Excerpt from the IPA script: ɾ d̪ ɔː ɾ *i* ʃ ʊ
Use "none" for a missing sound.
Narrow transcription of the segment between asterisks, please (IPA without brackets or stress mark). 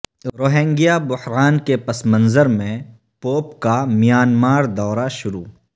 a